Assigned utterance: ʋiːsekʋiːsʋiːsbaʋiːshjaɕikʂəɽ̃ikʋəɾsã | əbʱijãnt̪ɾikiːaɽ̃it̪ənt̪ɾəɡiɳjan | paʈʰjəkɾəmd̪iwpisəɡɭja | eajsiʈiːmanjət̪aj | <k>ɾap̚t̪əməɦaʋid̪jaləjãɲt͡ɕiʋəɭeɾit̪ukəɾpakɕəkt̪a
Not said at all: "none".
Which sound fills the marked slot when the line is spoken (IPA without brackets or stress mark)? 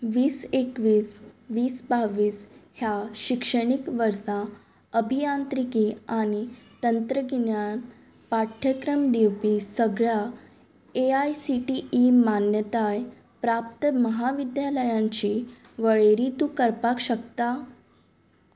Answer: p